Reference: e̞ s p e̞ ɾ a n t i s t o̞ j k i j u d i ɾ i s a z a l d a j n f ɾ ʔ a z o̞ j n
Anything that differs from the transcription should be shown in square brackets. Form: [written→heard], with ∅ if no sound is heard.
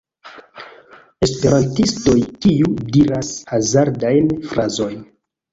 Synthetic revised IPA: e̞ s p e̞ ɾ a n t i s t o̞ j k i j u d i ɾ [i→a] s a z a [l→ɾ] d a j n f ɾ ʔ a z o̞ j n